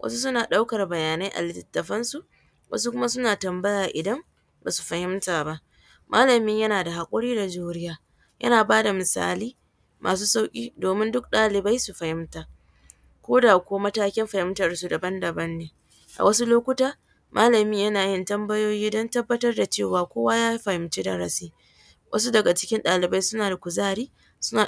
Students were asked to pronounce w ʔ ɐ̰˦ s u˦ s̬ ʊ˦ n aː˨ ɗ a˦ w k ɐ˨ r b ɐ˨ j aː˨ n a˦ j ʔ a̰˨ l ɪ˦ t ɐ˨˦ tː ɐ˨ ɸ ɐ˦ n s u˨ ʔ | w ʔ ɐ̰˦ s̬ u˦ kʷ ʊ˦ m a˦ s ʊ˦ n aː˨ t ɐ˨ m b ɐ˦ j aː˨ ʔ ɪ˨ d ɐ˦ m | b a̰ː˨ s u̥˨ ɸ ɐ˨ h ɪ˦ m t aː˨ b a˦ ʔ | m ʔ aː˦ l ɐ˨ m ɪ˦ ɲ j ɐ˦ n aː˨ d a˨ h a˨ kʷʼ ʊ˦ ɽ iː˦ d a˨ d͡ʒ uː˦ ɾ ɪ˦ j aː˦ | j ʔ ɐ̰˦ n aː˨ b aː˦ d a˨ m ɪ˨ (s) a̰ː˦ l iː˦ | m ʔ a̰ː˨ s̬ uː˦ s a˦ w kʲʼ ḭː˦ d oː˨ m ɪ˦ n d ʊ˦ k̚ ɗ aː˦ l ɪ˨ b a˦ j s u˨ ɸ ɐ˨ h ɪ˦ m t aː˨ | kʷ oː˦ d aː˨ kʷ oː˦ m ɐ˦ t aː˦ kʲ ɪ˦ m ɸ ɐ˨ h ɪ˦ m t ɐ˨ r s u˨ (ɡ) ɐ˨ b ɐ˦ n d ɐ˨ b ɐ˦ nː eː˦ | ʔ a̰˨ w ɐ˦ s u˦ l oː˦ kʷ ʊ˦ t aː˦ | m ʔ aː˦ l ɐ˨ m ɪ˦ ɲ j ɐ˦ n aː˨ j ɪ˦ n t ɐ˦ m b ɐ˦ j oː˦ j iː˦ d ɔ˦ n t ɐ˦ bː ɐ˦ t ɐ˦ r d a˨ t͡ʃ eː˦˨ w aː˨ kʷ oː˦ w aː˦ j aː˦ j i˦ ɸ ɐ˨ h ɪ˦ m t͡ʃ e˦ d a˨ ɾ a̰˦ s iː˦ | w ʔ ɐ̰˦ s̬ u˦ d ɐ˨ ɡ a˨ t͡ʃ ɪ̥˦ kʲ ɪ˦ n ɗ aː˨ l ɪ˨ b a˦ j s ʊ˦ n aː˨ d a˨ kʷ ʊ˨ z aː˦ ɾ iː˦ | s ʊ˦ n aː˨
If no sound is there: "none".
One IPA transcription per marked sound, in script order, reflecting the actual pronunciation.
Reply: s, d

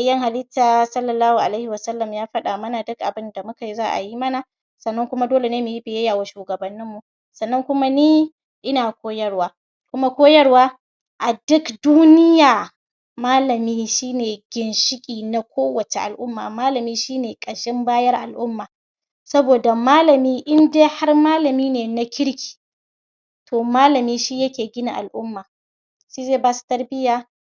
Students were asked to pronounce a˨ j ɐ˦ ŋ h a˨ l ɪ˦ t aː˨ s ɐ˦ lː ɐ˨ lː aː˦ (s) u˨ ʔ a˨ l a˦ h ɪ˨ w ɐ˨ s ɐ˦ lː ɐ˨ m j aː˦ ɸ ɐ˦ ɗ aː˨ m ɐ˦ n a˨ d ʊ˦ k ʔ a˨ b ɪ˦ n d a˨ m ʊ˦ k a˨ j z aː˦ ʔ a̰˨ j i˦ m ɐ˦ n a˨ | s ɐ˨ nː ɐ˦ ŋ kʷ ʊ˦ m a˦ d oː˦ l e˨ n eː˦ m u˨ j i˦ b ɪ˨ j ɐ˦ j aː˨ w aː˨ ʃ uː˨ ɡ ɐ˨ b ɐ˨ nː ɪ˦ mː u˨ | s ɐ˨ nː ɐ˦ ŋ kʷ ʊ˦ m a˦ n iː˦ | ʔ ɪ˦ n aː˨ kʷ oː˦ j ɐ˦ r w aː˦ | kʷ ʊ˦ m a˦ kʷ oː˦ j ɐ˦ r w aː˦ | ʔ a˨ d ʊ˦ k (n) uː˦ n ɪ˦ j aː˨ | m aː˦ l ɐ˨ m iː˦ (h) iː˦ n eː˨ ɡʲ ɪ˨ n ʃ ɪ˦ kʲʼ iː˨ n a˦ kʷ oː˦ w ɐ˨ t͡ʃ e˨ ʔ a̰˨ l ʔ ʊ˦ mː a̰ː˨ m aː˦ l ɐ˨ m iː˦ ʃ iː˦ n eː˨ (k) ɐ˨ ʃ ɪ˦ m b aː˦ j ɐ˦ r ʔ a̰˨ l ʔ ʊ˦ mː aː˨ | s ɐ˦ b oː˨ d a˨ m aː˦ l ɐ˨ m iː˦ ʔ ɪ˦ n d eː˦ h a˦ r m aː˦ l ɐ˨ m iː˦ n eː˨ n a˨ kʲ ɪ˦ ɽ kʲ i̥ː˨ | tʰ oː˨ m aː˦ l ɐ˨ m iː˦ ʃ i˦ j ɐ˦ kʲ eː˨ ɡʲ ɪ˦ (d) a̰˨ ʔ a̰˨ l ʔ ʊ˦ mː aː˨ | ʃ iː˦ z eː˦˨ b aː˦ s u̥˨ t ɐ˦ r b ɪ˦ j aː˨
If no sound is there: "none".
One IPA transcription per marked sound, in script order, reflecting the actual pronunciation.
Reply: h, d, ʃ, kʼ, n

